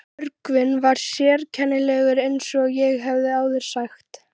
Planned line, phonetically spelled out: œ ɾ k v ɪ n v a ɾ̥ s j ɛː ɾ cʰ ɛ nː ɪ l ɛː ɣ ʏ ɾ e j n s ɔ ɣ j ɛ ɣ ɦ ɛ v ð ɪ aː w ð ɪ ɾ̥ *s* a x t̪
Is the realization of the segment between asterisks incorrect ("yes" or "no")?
no